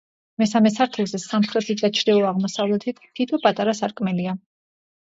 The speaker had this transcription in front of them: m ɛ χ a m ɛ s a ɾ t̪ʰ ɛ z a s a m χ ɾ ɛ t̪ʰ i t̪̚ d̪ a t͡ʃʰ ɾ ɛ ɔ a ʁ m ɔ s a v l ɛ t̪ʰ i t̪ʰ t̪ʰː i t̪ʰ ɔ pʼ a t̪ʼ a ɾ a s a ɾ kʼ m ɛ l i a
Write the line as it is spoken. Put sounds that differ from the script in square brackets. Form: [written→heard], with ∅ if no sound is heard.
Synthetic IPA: m ɛ [χ→s] a m ɛ s a ɾ t̪ʰ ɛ z [a→ɛ] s a m χ ɾ ɛ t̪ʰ i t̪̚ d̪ a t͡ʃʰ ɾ ɛ ɔ a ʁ m ɔ s a v l ɛ t̪ʰ i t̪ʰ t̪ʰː i t̪ʰ ɔ pʼ a t̪ʼ a ɾ a s a ɾ kʼ m ɛ l i a

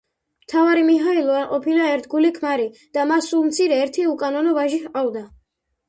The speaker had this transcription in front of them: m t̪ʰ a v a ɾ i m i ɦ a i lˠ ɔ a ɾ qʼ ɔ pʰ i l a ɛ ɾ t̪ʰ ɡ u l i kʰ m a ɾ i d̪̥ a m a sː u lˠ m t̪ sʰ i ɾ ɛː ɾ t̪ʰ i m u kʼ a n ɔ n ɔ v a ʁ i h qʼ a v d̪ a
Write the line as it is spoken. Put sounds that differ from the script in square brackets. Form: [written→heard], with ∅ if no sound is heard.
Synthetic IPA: m t̪ʰ a v a ɾ i m i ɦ a i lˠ ɔ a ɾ qʼ ɔ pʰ i l a ɛ ɾ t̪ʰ ɡ u l i kʰ m a ɾ i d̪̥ a m a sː u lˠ m t̪ sʰ i ɾ ɛː ɾ t̪ʰ i [m→∅] u kʼ a n ɔ n ɔ v a [ʁ→ʒ] i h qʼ a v d̪ a

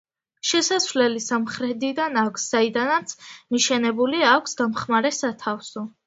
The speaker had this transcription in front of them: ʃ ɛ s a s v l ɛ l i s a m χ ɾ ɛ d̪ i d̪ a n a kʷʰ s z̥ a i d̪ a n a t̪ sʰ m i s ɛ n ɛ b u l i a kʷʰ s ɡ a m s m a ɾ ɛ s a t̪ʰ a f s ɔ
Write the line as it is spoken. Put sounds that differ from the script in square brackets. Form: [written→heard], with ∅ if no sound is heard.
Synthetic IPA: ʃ ɛ s a s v l ɛ l i s a m χ ɾ ɛ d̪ i d̪ a n a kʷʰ s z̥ a i d̪ a n a t̪ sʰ m i [s→ʃ] ɛ n ɛ b u l i a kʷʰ s ɡ a m [s→χ] m a ɾ ɛ s a t̪ʰ a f s ɔ

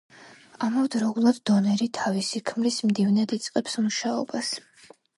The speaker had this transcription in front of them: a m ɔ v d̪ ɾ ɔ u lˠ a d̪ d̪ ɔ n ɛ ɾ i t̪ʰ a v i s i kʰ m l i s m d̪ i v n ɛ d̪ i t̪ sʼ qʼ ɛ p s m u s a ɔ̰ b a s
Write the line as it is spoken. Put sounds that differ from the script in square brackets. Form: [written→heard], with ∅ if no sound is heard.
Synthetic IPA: a m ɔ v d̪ ɾ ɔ u lˠ a d̪ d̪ ɔ n ɛ ɾ i t̪ʰ a v i s i kʰ m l i s m d̪ i v n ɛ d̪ i t̪ sʼ qʼ ɛ p s m u [s→ʃ] a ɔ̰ b a s

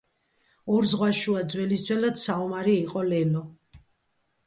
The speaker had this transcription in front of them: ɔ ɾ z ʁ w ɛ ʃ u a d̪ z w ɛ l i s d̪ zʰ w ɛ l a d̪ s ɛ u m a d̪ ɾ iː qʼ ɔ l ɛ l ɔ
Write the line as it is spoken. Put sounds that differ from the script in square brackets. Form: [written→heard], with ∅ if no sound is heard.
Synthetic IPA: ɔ ɾ z ʁ w [ɛ→a] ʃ u a d̪ z w ɛ l i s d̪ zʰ w ɛ l a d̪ s [ɛ→a] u m a [d̪→∅] ɾ iː qʼ ɔ l ɛ l ɔ

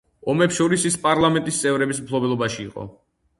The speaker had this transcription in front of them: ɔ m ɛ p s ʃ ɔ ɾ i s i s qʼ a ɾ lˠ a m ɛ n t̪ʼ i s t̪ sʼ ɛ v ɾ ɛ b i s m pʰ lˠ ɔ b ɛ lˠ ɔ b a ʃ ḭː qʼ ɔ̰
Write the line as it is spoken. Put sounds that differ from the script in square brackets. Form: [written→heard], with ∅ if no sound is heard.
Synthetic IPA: ɔ m ɛ p s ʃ ɔ ɾ i s i s [qʼ→pʼ] a ɾ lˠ a m ɛ n t̪ʼ i s t̪ sʼ ɛ v ɾ ɛ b i s m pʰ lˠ ɔ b ɛ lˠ ɔ b a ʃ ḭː qʼ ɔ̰

